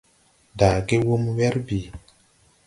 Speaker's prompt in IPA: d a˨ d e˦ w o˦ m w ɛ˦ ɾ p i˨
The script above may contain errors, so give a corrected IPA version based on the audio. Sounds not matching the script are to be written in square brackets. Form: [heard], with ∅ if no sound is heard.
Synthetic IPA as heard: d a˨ [ɡ] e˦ w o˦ m w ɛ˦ ɾ [b] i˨